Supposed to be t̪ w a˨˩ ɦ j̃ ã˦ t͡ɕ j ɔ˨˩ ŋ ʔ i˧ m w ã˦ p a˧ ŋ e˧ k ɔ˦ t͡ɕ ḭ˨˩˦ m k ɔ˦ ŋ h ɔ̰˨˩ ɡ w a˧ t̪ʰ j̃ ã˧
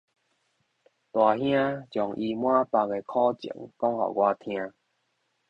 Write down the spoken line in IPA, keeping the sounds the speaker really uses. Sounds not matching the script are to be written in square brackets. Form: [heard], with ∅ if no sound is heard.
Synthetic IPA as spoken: t̪ w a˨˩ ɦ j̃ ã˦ t͡ɕ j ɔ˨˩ ŋ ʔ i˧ m w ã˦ p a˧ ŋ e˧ [kʰ] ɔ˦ t͡ɕ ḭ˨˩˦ [ŋ] k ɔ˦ ŋ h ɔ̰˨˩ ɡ w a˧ t̪ʰ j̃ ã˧